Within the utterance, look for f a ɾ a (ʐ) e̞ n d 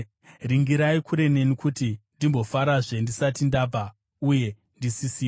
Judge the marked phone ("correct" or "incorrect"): correct